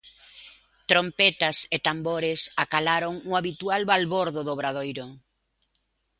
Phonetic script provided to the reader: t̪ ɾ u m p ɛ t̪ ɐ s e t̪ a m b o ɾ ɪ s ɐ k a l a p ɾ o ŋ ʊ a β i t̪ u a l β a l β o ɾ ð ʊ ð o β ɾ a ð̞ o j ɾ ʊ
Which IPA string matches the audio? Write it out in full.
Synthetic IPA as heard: t̪ ɾ o m p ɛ t̪ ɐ s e t̪ a m b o ɾ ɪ s a k a l a ɾ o ŋ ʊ a β i t̪ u a l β a l β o ɾ ð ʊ ð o β ɾ a ð̞ o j ɾ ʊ